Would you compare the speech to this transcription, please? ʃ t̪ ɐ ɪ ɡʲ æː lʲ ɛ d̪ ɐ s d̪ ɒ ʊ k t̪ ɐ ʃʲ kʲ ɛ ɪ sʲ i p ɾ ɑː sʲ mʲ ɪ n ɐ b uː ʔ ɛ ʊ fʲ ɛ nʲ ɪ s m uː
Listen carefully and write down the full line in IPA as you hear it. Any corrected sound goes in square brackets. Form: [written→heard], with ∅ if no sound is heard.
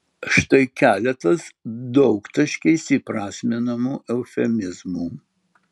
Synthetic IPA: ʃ t̪ ɐ ɪ [ɡʲ→kʲ] æː lʲ ɛ [d̪→t̪] ɐ s d̪ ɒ ʊ k t̪ ɐ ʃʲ kʲ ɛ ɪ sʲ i p ɾ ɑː sʲ mʲ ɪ n ɐ [b→m] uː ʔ ɛ ʊ fʲ ɛ [nʲ→mʲ] ɪ [s→z] m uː